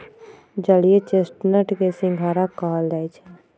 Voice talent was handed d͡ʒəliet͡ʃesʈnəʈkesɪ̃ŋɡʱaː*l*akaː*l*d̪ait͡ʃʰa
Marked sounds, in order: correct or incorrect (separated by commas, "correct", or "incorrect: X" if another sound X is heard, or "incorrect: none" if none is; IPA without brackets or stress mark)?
incorrect: ɾ, correct